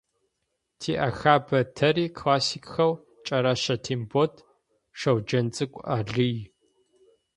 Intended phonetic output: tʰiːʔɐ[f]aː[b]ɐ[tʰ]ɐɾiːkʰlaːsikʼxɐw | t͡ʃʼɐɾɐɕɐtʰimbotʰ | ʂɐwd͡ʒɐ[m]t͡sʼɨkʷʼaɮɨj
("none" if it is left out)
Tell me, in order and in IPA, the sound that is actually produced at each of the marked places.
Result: x, b, tʰ, n

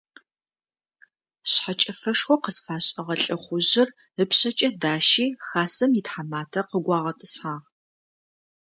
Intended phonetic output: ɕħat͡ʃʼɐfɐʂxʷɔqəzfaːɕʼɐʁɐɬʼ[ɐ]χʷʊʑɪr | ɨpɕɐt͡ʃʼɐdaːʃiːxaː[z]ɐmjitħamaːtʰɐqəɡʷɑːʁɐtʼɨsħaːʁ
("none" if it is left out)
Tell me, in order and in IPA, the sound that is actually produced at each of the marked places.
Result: ɐ, s

